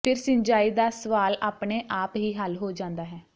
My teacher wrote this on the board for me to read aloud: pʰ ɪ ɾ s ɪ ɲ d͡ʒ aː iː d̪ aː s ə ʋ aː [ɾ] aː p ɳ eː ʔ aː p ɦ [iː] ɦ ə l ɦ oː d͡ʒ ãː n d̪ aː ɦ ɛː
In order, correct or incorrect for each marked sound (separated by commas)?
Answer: incorrect, correct